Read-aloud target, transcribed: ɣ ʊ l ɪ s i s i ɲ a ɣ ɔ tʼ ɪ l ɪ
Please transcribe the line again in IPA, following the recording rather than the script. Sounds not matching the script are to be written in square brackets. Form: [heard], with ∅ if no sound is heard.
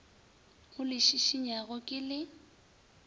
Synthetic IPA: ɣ ʊ l ɪ [ʃ] i [ʃ] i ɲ a ɣ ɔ [kʼ] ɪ l ɪ

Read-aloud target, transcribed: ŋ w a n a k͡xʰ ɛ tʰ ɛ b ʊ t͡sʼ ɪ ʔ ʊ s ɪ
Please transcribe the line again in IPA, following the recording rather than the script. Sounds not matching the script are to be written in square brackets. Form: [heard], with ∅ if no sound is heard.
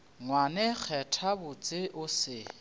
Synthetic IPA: ŋ w a n [ɛ] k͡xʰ ɛ tʰ [a] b ʊ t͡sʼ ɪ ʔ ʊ s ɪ

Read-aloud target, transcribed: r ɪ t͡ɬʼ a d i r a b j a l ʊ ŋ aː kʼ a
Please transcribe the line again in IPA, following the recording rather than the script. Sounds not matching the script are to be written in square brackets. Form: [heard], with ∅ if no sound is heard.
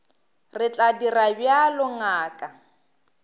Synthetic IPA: r ɪ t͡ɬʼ a d i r a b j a l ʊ ŋ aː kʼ a

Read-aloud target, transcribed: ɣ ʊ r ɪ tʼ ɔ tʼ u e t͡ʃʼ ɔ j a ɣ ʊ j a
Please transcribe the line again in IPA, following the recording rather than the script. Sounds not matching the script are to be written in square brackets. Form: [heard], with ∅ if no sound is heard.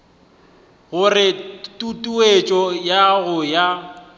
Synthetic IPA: ɣ ʊ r ɪ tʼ [u] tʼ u e t͡ʃʼ ɔ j a ɣ ʊ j a

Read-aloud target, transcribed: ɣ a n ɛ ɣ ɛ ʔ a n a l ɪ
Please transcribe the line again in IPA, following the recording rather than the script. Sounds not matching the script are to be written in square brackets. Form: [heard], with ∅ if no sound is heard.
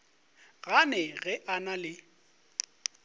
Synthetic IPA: ɣ a n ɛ ɣ ɛ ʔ a n a l ɪ

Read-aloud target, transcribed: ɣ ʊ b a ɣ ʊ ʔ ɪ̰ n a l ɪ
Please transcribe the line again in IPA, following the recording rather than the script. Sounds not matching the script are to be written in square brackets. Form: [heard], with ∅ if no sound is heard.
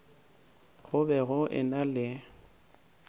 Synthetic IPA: ɣ ʊ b [ɛ] ɣ ʊ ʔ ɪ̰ n a l ɪ

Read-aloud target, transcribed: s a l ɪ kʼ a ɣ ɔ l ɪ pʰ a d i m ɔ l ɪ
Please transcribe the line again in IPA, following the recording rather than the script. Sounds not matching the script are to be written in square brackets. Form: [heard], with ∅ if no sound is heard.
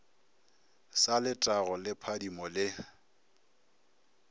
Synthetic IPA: s a l ɪ [tʼ] a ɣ ɔ l ɪ pʰ a d i m ɔ l ɪ

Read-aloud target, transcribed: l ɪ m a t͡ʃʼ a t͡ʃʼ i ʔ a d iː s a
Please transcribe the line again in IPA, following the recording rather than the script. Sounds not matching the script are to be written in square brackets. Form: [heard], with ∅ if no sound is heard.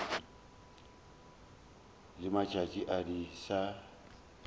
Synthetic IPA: l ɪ m a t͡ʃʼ a t͡ʃʼ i ʔ a d [i] s a

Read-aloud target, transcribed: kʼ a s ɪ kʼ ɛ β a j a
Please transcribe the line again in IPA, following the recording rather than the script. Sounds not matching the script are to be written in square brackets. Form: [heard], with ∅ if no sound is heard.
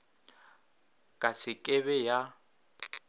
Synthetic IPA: kʼ a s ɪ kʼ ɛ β [ɛ] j a

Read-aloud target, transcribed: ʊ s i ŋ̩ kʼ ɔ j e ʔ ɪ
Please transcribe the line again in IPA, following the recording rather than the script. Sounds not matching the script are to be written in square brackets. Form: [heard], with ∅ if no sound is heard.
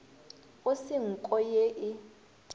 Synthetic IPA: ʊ s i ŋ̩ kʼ ɔ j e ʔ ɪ

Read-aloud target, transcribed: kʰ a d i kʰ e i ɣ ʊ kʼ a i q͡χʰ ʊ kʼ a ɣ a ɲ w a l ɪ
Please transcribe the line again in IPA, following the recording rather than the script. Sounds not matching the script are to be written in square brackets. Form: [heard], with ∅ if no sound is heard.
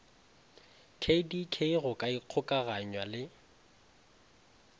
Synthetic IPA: kʰ [e] d i kʰ e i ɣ ʊ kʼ a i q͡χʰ ʊ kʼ a ɣ a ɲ w a l ɪ

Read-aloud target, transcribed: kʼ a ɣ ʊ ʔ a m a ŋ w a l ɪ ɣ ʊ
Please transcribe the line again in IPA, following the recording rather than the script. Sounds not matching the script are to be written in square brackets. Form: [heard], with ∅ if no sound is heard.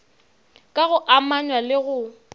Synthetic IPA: kʼ a ɣ ʊ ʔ a m a [ɲ] w a l ɪ ɣ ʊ

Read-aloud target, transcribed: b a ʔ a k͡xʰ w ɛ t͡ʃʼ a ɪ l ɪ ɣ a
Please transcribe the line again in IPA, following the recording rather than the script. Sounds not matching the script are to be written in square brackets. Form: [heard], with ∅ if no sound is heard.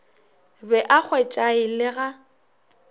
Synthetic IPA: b [ɛ] ʔ a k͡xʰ w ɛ t͡ʃʼ a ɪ l ɪ ɣ a

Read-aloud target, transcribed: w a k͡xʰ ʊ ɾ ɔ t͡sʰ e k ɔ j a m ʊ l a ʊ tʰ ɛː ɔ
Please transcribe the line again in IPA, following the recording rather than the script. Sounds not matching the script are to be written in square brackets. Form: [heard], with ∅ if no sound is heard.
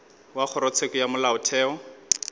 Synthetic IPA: w a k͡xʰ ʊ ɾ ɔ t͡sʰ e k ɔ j a m ʊ l a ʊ tʰ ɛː ɔ

